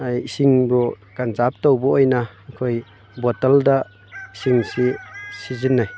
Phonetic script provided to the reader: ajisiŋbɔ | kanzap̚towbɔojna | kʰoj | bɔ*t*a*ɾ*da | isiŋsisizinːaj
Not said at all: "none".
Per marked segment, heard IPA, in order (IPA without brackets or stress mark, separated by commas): t, l